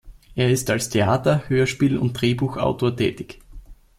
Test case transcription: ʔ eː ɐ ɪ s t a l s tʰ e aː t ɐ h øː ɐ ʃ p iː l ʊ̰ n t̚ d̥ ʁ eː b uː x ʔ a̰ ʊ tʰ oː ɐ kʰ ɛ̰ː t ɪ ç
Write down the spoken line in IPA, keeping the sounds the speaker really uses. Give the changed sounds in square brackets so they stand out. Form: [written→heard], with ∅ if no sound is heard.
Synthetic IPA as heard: ʔ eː ɐ ɪ s t a l s tʰ e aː t ɐ h øː ɐ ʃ p iː l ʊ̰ n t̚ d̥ ʁ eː b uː x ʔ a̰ ʊ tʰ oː ɐ [kʰ→tʰ] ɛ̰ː t ɪ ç